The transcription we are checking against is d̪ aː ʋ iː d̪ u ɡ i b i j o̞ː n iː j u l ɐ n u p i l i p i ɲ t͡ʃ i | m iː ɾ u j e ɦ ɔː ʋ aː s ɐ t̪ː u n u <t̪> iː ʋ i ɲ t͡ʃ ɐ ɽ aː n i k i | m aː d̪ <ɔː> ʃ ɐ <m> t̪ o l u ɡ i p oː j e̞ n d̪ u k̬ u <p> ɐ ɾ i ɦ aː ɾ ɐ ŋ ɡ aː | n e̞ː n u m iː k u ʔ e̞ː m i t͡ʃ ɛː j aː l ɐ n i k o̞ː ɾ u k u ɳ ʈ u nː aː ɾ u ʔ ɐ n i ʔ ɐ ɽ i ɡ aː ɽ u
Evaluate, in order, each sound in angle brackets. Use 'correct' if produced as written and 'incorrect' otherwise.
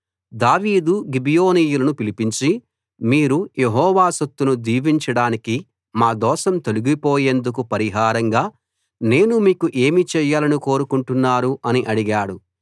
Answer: incorrect: d̪, correct, correct, correct

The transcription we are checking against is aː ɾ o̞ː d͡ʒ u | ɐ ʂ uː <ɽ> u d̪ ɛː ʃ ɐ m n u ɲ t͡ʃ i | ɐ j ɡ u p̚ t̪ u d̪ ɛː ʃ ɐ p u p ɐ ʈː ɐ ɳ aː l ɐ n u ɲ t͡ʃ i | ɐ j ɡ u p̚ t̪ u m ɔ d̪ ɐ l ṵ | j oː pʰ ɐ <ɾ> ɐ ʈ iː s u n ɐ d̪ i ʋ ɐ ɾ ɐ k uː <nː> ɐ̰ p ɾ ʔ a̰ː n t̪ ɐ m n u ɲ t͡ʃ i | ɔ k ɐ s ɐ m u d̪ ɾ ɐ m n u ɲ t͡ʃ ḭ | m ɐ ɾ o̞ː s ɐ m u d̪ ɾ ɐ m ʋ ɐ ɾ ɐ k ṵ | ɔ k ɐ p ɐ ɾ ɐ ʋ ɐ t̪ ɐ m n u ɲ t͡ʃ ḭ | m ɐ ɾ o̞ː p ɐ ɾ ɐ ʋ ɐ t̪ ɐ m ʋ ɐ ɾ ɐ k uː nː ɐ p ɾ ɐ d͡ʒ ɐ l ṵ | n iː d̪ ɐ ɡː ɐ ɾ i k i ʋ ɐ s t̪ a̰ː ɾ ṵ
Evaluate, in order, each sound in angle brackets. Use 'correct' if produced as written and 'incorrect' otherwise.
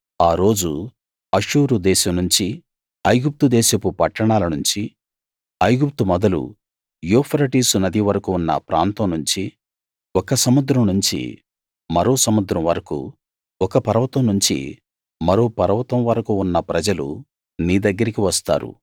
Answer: incorrect: ɾ, correct, correct

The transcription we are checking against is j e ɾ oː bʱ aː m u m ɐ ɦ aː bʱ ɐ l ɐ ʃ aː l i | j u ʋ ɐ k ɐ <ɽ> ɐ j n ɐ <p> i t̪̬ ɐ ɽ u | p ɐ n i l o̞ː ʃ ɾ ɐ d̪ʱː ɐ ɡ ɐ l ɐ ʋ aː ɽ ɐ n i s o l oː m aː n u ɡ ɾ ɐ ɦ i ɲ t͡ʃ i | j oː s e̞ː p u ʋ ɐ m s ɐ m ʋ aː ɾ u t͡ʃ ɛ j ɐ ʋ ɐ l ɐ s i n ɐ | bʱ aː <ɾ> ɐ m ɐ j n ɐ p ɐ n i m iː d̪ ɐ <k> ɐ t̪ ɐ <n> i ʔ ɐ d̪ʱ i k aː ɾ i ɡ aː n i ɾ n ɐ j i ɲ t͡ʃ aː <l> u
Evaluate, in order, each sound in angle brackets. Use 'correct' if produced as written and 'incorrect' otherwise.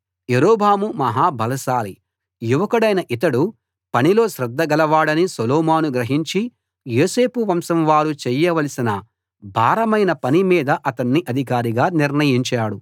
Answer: correct, incorrect: ʔ, correct, incorrect: ʔ, incorrect: nː, incorrect: ɽ

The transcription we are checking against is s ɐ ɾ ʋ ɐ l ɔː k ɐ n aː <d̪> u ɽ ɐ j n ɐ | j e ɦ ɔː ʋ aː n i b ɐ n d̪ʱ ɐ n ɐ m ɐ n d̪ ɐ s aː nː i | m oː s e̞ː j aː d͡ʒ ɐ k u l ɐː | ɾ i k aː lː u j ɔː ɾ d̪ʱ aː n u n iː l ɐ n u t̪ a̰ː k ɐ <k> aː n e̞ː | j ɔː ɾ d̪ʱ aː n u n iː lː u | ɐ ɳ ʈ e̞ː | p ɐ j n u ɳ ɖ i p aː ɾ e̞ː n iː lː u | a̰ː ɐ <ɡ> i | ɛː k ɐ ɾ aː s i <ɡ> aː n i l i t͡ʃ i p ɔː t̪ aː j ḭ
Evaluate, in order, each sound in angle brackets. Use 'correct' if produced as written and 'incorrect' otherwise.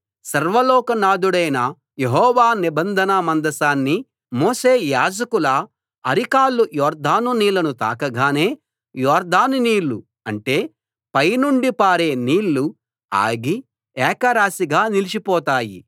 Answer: correct, incorrect: ɡ, correct, correct

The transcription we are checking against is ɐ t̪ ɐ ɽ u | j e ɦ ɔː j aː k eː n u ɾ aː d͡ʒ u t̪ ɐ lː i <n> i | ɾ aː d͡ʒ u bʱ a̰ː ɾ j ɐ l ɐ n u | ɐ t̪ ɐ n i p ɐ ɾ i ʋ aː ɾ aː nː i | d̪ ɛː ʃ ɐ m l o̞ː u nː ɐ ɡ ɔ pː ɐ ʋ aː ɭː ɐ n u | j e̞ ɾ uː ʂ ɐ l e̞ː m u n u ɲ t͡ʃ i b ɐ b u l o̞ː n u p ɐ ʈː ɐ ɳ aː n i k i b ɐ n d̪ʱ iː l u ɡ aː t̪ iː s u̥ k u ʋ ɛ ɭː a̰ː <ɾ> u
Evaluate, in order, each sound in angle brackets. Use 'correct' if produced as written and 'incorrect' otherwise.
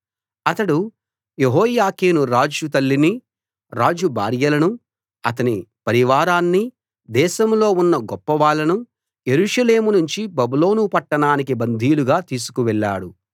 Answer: correct, incorrect: ɽ

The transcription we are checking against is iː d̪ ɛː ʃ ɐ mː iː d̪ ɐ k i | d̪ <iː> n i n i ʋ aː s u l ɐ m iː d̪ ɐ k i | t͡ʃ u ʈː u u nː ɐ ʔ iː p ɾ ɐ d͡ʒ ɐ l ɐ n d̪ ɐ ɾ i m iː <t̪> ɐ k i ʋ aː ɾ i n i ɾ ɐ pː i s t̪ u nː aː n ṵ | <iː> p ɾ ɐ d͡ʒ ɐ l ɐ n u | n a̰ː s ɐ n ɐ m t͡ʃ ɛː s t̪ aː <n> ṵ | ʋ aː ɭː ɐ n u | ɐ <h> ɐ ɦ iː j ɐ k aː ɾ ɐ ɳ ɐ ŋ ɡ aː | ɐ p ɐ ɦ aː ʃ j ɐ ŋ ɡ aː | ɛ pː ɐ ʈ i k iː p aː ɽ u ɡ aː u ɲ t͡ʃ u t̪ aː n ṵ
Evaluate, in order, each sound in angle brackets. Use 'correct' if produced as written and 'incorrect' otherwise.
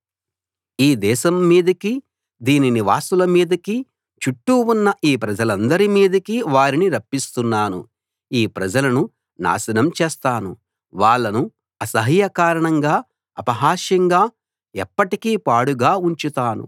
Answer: correct, incorrect: d̪, correct, correct, incorrect: s

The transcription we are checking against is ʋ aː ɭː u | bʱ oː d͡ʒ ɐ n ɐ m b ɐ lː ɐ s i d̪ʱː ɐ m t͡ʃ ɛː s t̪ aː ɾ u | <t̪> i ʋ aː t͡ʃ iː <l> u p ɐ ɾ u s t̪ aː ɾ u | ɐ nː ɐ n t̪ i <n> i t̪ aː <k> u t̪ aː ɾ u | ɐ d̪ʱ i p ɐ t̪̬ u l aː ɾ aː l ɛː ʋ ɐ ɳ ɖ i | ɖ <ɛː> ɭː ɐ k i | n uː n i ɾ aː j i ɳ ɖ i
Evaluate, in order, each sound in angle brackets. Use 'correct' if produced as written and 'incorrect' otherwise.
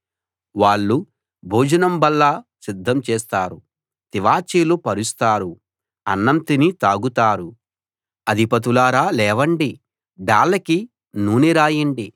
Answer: correct, correct, correct, incorrect: ɡ, incorrect: aː

